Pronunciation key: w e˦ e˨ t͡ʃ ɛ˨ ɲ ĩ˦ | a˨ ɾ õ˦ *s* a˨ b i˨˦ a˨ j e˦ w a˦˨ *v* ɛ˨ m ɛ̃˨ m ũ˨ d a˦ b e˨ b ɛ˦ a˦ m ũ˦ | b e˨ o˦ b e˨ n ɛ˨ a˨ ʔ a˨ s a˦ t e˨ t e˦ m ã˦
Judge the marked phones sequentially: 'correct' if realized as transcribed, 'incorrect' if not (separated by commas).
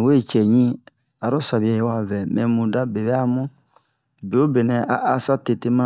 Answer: correct, correct